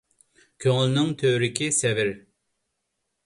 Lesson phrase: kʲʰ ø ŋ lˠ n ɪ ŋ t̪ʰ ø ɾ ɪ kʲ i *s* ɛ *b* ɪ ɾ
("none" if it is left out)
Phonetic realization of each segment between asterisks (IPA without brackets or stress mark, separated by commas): s, v